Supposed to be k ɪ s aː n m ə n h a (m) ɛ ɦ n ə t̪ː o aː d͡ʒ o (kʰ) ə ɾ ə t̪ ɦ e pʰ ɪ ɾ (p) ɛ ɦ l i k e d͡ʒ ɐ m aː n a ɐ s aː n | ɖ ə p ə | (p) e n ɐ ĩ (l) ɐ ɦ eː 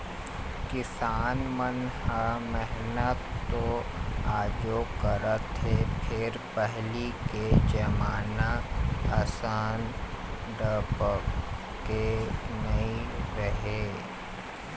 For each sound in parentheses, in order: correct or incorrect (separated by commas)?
correct, incorrect, correct, incorrect, incorrect